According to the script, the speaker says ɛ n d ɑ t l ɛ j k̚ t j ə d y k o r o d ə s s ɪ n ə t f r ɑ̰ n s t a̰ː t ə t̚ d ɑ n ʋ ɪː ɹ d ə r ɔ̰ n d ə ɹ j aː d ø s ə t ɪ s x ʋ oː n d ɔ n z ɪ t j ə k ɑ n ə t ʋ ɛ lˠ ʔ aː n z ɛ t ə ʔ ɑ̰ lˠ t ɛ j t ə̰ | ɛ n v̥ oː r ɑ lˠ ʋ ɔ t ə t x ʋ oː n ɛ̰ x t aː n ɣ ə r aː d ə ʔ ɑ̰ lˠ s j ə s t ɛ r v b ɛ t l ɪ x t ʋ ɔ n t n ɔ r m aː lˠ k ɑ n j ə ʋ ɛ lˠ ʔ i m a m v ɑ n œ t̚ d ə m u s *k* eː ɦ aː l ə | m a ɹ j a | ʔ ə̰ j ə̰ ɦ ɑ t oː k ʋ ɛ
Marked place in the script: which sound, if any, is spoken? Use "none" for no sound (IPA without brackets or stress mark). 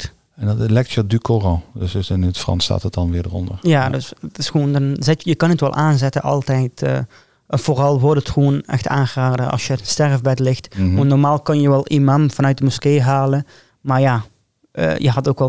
k